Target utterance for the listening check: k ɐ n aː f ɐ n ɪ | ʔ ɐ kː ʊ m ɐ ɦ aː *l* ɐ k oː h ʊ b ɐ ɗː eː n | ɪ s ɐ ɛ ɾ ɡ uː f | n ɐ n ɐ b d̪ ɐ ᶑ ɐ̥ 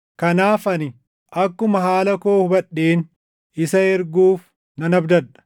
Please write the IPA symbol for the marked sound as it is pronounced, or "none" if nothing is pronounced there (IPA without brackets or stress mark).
l